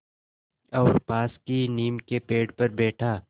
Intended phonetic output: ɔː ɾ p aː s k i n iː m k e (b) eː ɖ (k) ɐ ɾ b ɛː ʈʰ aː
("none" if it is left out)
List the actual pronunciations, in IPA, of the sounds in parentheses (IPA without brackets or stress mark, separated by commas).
p, p